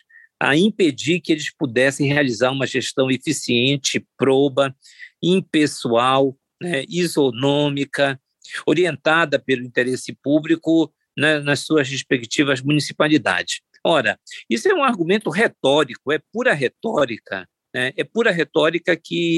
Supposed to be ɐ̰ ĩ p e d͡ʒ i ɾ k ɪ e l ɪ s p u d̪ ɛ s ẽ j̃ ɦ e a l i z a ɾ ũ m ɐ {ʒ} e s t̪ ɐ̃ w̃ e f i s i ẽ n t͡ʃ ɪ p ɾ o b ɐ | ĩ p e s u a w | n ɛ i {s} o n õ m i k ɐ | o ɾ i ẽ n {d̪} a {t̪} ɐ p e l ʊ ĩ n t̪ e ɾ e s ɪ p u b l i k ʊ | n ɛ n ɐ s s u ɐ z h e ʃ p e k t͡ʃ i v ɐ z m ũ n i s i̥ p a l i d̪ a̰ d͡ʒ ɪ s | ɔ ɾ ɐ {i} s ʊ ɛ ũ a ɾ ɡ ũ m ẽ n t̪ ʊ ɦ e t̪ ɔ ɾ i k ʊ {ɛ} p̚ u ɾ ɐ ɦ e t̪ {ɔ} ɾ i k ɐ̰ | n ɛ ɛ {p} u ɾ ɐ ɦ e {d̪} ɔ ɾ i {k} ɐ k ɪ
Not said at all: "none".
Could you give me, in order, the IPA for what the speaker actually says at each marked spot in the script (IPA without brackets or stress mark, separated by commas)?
ʒ, z, t̪, d̪, i, ɛ, ɔ, p, t̪, k